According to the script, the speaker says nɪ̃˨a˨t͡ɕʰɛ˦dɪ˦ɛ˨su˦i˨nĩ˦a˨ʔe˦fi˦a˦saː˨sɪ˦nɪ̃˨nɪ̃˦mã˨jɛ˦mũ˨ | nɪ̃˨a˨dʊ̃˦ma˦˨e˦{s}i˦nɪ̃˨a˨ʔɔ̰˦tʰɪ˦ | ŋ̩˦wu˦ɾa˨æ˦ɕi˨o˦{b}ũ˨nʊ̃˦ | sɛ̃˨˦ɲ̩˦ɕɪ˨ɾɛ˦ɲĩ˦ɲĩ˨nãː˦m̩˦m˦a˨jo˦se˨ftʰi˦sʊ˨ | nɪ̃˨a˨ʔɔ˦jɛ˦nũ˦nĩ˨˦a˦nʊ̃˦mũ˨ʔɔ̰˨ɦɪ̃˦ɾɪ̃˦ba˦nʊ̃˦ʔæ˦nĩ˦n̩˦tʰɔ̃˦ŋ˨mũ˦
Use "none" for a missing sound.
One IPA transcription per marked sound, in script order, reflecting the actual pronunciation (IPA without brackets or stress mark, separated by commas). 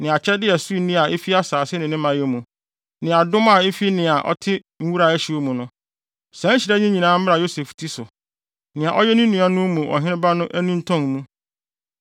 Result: f, m